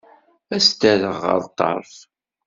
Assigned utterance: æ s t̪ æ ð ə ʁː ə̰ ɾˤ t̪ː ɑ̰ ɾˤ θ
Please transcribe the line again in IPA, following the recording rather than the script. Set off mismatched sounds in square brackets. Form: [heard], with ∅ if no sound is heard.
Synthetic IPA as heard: æ s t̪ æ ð ə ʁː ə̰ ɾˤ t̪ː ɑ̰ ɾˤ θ